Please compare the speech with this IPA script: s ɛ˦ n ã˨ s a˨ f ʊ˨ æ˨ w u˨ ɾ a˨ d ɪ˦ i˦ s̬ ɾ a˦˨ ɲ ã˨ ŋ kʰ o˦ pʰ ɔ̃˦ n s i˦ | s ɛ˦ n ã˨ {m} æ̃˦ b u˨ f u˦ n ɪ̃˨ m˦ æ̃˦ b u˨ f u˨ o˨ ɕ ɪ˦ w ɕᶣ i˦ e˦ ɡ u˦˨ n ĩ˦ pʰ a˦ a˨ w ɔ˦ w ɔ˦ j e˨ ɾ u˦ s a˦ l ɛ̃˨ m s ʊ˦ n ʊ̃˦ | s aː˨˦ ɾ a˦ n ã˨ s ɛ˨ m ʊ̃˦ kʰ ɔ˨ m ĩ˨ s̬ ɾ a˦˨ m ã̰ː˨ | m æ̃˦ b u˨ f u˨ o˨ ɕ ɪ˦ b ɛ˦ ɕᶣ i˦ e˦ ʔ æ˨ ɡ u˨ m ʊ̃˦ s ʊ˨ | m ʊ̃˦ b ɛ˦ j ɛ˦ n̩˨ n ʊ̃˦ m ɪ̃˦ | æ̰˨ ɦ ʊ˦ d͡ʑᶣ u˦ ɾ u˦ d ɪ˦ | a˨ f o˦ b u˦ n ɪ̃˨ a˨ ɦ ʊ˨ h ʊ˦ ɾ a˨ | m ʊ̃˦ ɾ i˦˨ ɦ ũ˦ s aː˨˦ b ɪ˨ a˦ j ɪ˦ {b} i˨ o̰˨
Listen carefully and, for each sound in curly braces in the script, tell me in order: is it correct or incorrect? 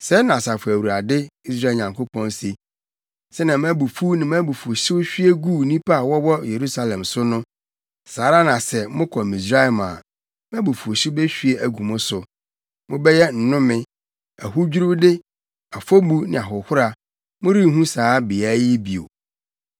correct, correct

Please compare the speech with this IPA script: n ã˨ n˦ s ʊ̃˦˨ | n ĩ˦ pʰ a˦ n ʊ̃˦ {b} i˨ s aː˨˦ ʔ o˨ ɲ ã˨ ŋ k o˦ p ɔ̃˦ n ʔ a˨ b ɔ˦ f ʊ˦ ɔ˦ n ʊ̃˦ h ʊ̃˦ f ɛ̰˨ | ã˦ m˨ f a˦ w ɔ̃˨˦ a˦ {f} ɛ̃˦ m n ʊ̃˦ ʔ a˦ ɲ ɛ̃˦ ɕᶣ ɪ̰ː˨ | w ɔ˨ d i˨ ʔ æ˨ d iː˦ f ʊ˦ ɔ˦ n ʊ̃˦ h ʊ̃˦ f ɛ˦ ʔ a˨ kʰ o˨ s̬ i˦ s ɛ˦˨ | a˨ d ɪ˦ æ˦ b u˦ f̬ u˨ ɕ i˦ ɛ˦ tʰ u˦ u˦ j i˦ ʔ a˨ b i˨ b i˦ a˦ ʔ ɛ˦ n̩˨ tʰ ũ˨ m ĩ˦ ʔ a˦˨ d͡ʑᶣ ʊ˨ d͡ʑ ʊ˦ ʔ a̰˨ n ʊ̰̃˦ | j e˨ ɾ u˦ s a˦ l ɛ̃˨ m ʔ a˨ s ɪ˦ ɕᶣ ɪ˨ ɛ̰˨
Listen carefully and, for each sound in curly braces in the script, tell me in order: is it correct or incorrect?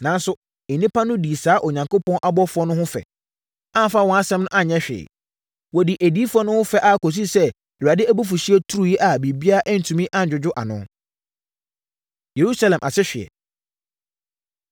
incorrect: d, incorrect: s

